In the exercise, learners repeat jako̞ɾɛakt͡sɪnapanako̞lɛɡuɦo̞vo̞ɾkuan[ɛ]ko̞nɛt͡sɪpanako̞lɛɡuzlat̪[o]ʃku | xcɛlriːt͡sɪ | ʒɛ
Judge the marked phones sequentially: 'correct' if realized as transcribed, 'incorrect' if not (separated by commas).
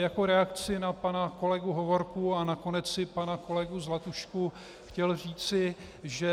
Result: incorrect, incorrect